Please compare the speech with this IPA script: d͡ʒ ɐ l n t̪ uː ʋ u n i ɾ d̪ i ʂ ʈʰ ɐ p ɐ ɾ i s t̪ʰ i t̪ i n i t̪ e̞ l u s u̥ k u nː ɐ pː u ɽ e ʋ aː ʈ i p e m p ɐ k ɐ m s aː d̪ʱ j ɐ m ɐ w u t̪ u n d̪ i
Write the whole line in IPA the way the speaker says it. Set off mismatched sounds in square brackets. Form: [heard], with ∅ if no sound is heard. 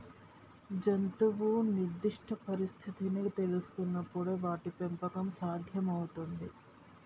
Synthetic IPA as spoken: d͡ʒ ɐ [∅] n t̪ [u] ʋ u n i ɾ d̪ i ʂ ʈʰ ɐ p ɐ ɾ i s t̪ʰ i t̪ i n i t̪ e̞ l u s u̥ k u nː ɐ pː u ɽ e ʋ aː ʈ i p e m p ɐ k ɐ m s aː d̪ʱ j ɐ m ɐ w u t̪ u n d̪ i